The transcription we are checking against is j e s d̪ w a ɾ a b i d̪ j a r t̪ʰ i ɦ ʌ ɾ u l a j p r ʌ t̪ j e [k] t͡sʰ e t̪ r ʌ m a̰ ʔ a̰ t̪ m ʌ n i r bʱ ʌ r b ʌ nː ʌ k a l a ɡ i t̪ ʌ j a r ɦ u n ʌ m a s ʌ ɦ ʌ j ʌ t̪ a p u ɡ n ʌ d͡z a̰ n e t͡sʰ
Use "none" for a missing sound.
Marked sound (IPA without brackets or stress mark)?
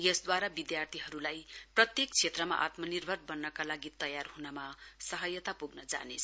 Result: k